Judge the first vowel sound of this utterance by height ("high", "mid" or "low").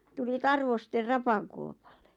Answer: high